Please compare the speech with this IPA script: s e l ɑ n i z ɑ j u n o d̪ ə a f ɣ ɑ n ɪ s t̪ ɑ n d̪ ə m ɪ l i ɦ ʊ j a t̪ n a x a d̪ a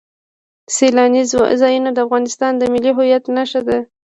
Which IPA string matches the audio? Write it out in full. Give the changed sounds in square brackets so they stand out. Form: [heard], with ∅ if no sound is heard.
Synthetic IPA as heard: s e l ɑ n i z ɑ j u n o d̪ ə a f ɣ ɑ n ɪ s t̪ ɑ n d̪ ə m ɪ l i ɦ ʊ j a t̪ n a [ʃ] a d̪ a